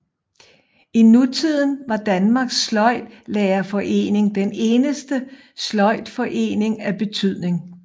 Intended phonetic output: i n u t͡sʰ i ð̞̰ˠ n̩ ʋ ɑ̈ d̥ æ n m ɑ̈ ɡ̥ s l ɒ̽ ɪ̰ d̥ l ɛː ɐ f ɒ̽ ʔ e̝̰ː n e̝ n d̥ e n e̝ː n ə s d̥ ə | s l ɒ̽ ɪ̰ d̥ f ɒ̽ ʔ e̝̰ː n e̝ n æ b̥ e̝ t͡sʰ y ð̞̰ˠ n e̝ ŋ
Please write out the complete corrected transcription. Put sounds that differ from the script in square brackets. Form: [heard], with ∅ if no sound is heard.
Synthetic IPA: i n u t͡sʰ i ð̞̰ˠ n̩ ʋ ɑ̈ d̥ æ n m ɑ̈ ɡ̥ s l ɒ̽ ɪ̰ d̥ l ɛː ɐ f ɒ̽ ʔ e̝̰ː n e̝ [ŋ] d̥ e n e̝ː n ə s d̥ ə | s l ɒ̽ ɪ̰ d̥ f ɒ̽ ʔ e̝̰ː n e̝ [ŋ] æ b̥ e̝ t͡sʰ y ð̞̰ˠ n e̝ ŋ